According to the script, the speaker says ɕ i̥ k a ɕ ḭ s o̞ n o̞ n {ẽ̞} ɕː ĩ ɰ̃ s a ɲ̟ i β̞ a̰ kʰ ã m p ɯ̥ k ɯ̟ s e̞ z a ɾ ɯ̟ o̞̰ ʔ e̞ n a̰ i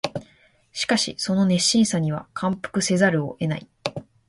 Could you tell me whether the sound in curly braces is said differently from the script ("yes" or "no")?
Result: yes